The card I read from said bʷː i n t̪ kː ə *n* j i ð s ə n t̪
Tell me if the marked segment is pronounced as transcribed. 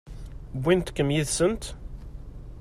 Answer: no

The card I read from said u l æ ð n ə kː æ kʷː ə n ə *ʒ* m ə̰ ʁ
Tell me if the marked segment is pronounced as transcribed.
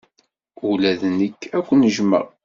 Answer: yes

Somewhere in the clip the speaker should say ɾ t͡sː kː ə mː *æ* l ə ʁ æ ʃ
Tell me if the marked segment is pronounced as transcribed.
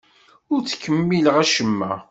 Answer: no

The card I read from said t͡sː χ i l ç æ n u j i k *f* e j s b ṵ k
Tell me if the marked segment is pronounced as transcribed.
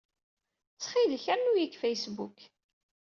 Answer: yes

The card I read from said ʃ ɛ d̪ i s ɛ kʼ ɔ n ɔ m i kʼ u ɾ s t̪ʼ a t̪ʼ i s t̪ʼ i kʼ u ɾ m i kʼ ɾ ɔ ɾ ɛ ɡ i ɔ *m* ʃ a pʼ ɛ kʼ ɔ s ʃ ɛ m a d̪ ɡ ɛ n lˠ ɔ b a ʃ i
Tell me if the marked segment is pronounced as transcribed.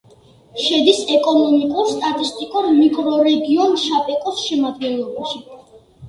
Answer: no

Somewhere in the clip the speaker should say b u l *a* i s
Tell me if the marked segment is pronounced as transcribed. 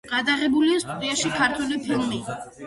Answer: no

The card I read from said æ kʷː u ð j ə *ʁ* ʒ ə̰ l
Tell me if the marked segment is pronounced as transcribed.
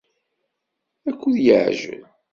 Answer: no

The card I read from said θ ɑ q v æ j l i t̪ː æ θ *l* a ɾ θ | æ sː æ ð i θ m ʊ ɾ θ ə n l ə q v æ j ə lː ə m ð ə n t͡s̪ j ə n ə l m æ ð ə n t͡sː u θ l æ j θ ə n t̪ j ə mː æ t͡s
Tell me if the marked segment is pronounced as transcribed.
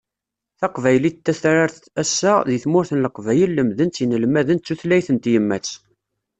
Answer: no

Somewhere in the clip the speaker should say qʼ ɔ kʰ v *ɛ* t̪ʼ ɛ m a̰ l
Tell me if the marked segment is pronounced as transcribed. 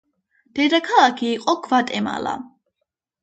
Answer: no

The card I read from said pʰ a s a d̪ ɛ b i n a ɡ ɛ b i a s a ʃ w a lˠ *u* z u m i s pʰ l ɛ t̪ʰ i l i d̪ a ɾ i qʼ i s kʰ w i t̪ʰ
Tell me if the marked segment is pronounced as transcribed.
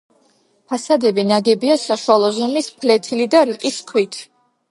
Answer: no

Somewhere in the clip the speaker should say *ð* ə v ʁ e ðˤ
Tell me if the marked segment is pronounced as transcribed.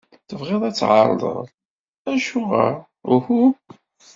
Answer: no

